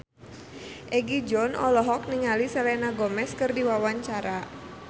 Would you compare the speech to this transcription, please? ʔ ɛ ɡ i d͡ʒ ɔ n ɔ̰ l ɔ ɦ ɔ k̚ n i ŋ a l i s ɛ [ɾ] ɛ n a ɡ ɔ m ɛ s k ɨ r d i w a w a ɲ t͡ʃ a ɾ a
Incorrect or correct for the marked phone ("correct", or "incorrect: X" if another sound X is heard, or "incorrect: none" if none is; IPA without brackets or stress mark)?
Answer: incorrect: l